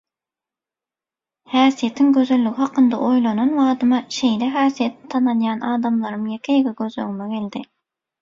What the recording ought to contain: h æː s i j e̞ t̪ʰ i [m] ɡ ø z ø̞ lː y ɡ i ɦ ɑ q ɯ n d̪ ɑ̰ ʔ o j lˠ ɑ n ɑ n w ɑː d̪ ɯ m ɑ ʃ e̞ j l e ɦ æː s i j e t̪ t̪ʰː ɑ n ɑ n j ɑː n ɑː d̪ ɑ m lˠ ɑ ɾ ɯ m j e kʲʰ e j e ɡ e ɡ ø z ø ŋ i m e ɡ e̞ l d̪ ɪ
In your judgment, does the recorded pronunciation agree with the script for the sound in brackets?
no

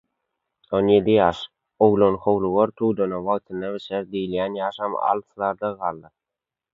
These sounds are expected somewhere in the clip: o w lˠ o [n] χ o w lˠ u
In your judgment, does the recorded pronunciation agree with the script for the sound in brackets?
yes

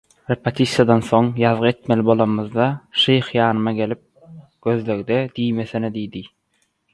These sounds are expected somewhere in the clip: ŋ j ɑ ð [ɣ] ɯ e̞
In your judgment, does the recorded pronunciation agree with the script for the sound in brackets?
no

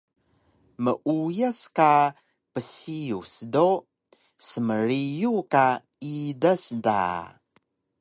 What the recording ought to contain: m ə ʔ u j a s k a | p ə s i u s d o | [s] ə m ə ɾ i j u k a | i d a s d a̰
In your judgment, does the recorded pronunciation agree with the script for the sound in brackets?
yes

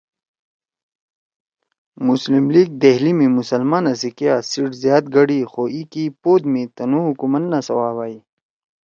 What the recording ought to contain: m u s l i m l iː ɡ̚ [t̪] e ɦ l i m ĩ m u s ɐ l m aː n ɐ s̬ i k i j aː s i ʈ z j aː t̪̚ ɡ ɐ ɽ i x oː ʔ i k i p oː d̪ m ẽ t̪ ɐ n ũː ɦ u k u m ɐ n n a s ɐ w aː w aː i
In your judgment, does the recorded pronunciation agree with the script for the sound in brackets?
no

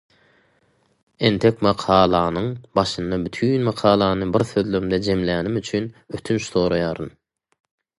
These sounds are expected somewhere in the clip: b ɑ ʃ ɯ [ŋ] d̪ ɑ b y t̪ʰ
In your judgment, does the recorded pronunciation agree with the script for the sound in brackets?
no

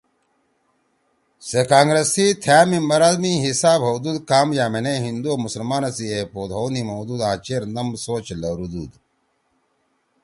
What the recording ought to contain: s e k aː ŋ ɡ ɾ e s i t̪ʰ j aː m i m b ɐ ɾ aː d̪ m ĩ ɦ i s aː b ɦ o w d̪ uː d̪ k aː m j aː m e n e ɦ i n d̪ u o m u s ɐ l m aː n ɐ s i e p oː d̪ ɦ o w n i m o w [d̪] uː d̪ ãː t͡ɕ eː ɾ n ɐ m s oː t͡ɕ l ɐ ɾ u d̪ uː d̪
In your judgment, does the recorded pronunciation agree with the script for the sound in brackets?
yes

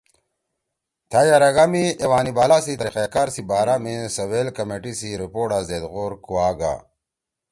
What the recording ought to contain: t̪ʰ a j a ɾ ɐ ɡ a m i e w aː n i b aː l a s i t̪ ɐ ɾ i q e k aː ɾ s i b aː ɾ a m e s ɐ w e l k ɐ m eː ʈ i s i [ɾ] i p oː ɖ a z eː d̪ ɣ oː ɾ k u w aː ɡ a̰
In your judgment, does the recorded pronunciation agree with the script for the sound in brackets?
yes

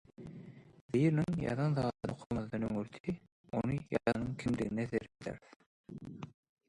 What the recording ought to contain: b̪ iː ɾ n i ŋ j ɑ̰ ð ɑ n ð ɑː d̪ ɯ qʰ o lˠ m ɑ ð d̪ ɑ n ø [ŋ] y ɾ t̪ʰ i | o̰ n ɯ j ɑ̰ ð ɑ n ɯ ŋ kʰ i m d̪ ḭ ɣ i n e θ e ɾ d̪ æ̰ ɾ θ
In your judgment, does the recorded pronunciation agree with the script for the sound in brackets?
yes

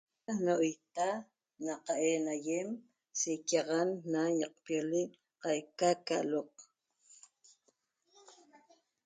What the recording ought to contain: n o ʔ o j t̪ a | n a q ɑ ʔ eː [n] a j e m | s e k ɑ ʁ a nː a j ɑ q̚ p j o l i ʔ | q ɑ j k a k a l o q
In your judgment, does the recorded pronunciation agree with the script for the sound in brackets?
yes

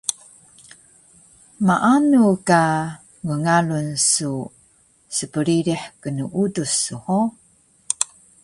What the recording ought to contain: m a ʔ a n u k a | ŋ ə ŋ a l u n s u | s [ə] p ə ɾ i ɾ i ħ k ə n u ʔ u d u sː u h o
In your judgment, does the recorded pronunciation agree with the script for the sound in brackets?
yes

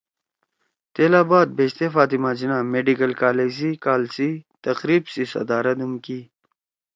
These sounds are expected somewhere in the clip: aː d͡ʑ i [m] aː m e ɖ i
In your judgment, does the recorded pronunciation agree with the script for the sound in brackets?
no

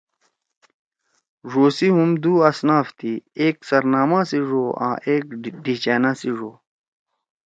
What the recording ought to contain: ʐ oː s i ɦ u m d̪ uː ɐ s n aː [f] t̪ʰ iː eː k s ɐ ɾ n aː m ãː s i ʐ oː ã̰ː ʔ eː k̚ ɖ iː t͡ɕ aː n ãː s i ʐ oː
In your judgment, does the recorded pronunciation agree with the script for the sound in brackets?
yes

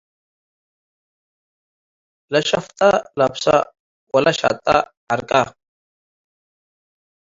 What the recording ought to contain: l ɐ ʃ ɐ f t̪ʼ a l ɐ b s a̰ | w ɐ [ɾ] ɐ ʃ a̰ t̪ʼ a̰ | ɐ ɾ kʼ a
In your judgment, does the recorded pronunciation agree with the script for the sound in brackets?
no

